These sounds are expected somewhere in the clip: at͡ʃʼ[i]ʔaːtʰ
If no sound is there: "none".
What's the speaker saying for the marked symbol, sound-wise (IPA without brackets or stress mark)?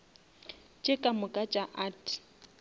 a